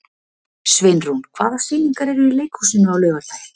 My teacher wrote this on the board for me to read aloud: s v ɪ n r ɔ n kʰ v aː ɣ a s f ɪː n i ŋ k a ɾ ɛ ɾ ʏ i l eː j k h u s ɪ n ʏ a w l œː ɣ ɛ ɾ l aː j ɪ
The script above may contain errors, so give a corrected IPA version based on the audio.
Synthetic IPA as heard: s v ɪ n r u n kʰ v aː ð a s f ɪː n i ŋ k a ɾ ɛ ɾ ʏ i l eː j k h u s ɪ n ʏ a w l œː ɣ a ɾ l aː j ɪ